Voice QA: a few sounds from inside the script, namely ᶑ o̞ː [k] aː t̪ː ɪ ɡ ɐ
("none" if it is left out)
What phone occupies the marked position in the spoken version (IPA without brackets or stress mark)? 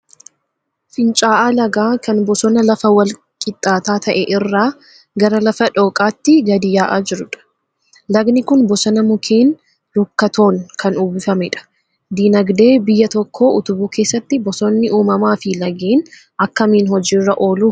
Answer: kʼ